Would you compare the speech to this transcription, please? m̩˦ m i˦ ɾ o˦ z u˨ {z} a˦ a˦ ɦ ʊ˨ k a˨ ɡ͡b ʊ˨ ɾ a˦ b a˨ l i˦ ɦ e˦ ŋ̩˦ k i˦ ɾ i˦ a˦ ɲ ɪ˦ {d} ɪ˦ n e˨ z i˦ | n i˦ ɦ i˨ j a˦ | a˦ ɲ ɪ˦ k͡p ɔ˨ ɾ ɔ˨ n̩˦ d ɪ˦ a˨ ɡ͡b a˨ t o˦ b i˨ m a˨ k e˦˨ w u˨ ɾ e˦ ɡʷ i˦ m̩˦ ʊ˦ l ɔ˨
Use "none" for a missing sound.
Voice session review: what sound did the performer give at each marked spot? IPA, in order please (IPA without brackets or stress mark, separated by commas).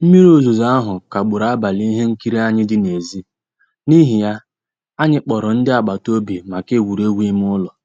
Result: z, d